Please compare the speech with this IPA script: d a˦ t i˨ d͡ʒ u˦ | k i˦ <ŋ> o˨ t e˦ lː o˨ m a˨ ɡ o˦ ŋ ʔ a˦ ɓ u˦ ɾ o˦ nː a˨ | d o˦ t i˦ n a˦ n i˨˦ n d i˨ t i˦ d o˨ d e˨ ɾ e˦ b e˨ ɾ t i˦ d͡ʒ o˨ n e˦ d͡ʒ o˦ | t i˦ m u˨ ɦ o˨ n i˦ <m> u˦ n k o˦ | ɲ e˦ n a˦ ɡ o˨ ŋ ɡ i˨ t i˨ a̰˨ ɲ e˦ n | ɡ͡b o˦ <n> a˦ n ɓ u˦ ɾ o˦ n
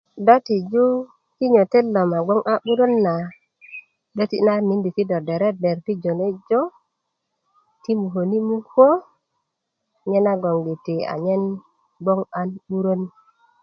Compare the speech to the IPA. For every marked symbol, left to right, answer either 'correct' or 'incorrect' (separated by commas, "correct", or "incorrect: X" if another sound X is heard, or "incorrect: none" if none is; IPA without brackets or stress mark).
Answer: incorrect: ɲ, correct, incorrect: ŋ